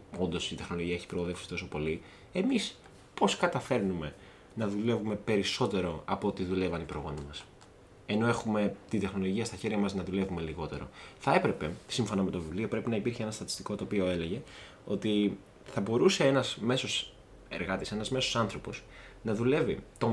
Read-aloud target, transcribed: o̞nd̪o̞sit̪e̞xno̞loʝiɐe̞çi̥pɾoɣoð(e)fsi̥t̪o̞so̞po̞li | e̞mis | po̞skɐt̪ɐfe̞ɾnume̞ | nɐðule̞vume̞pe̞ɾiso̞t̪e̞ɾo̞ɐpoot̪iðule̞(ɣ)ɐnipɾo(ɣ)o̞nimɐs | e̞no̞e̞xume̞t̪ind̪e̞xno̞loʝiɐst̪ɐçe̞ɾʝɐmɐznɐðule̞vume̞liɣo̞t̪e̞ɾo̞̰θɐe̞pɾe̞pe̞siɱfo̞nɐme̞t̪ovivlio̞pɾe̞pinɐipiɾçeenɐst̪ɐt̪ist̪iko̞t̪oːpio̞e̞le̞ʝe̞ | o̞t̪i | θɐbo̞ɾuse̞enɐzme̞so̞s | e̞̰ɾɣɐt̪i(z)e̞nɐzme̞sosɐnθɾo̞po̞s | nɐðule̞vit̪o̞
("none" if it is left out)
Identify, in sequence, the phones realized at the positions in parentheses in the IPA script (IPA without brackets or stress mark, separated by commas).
e, v, ɣ, s